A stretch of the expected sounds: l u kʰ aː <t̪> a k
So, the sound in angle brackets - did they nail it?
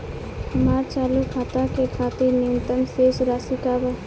yes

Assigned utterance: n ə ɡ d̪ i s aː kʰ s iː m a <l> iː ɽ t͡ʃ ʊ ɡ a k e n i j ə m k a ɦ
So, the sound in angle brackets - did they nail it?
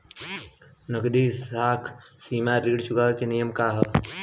no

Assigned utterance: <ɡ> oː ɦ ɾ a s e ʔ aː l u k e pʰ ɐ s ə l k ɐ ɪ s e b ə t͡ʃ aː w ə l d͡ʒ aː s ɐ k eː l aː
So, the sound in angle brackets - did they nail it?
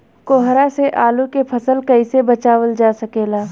no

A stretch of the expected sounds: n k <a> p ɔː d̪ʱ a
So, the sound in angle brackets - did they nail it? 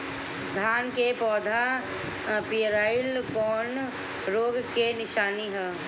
no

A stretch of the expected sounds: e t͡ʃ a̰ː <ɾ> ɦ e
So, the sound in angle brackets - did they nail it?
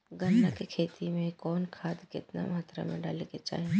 no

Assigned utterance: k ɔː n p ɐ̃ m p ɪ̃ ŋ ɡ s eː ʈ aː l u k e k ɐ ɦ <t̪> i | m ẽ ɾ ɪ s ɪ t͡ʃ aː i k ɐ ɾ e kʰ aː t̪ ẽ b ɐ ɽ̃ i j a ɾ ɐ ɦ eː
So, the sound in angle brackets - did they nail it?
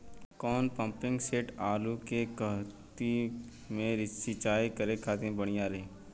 yes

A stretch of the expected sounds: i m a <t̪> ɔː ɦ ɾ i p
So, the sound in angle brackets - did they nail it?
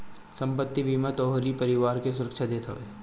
yes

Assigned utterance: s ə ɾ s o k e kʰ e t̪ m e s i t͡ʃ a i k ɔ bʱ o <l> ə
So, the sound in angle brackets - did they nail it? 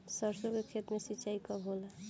yes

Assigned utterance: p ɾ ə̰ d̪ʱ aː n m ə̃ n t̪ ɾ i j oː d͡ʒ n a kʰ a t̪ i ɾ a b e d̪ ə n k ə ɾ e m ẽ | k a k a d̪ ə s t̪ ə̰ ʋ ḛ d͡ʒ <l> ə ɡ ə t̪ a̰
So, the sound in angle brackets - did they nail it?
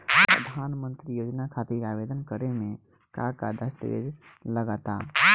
yes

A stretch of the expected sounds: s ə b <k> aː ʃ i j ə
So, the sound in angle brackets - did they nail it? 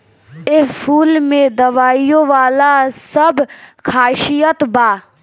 no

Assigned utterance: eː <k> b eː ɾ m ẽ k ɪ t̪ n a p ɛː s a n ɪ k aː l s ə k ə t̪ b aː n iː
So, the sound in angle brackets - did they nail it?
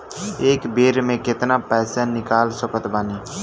yes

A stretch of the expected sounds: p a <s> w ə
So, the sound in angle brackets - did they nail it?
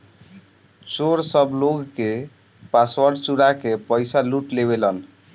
yes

